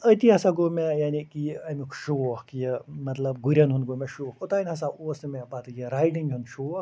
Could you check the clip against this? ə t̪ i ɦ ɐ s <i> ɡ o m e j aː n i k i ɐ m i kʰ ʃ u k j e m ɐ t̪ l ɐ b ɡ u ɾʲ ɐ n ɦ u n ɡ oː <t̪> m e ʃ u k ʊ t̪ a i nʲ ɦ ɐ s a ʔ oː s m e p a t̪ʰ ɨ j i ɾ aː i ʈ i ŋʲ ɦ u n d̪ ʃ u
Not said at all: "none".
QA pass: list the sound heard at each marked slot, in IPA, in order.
a, none

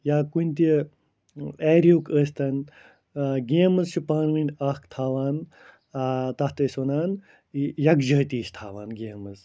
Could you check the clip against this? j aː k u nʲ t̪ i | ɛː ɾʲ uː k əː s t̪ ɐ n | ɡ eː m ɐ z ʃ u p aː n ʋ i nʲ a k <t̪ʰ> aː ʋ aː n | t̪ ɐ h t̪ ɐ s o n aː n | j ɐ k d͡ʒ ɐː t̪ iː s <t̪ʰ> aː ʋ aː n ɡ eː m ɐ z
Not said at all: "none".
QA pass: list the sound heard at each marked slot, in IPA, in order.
t̪ʰ, t̪ʰ

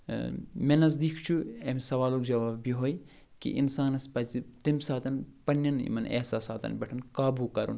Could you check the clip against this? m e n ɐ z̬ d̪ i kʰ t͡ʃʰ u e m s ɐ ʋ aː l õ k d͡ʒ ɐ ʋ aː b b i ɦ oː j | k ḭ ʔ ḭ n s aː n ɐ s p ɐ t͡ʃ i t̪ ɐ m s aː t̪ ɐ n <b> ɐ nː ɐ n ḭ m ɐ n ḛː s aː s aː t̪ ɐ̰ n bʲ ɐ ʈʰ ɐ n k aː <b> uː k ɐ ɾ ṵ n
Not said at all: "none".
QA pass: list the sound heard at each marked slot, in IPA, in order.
p, b

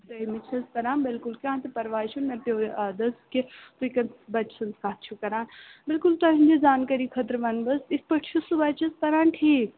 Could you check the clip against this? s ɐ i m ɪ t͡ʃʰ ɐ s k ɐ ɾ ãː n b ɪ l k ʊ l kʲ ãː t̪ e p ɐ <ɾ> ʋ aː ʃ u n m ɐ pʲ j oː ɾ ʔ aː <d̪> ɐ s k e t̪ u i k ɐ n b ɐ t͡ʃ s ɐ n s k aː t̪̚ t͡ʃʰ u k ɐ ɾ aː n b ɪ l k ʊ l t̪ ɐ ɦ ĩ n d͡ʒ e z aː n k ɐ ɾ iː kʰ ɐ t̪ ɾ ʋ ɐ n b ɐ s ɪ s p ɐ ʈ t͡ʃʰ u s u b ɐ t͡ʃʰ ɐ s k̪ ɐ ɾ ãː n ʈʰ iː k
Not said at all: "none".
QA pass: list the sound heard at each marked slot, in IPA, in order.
ɾ, d̪

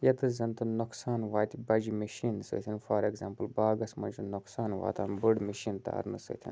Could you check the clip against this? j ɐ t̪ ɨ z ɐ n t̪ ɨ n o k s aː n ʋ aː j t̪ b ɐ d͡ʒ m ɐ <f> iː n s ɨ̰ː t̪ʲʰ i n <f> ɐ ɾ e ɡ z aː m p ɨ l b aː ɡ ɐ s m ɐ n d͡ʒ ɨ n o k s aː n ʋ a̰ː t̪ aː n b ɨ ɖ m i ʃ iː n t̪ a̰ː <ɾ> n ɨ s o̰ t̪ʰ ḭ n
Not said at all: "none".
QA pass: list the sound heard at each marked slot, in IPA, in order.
ʃ, f, ɾ

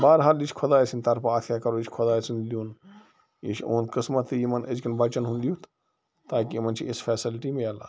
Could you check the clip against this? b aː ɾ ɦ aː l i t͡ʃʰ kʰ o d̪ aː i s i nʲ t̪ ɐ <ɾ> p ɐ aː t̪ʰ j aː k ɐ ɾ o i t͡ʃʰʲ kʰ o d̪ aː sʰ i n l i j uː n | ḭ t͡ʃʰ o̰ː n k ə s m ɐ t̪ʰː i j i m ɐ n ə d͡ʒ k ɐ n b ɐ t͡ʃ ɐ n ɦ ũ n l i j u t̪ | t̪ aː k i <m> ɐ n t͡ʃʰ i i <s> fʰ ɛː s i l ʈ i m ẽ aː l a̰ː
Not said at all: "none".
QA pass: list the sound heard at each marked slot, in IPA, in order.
ɾ, m, s

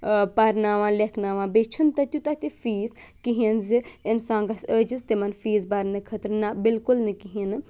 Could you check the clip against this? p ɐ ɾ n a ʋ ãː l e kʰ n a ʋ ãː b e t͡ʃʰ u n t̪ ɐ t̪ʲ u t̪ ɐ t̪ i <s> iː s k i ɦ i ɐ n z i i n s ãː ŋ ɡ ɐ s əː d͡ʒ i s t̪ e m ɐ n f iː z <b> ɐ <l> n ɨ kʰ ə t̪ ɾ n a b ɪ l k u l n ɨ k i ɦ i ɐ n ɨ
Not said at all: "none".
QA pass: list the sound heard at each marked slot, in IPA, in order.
f, b, ɾ

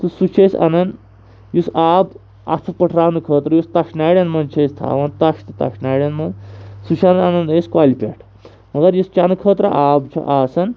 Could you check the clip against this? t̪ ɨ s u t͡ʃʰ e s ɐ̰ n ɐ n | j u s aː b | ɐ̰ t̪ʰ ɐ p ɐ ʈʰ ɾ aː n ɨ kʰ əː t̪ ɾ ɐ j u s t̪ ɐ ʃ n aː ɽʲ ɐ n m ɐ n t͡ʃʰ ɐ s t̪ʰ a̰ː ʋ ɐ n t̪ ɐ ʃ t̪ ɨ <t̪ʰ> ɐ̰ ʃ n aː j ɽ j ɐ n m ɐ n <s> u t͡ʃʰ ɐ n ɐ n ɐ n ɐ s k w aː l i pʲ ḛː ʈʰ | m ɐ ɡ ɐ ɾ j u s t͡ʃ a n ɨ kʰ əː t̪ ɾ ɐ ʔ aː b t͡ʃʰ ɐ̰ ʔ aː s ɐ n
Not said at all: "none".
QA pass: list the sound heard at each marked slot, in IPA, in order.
t̪, s

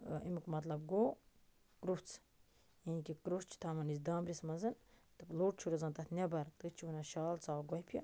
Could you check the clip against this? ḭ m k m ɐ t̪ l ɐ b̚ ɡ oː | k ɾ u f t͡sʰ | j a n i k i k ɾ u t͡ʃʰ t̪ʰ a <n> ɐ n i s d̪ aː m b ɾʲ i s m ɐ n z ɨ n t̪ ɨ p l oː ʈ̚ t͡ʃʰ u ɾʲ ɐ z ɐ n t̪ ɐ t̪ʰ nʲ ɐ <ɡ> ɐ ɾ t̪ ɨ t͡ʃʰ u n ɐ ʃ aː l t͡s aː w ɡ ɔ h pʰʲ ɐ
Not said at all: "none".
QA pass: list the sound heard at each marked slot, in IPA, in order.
m, b

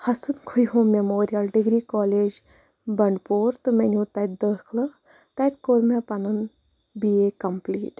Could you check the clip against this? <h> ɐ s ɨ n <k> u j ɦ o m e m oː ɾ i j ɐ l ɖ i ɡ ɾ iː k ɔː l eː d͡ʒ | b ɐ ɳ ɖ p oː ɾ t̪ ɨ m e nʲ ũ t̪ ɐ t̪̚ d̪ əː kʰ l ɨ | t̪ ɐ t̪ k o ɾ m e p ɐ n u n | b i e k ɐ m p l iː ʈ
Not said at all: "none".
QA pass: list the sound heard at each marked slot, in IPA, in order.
h, kʰ

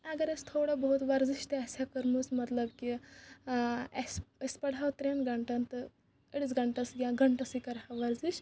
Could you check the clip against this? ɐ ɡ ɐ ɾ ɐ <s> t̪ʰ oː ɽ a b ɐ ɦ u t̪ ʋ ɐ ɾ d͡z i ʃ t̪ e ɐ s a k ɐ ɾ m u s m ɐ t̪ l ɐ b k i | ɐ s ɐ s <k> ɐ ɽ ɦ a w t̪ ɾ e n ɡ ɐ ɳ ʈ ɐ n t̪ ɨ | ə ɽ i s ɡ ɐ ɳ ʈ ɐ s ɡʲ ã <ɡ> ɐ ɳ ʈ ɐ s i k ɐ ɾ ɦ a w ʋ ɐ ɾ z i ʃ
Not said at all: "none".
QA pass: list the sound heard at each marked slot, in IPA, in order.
s, p, ɡ

